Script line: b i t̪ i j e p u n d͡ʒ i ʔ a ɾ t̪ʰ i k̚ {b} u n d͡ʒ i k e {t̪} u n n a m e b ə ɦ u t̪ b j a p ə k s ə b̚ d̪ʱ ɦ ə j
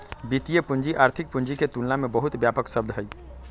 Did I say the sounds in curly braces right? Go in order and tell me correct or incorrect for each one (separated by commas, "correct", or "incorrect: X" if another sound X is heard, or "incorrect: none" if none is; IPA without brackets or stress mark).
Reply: incorrect: p, correct